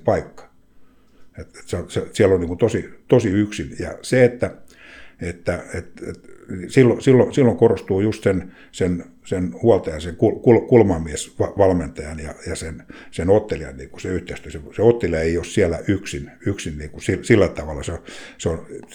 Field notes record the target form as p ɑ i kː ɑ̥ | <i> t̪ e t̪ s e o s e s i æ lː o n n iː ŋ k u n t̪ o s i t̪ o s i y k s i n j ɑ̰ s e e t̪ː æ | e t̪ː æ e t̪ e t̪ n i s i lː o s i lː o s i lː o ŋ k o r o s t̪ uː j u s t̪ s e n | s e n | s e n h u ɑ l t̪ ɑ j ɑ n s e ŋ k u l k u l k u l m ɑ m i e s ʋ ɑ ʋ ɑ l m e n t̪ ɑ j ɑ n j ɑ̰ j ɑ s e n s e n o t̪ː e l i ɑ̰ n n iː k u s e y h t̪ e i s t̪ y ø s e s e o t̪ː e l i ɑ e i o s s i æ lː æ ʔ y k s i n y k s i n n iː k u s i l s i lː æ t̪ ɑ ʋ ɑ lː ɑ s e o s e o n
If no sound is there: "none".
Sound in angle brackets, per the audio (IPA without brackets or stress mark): e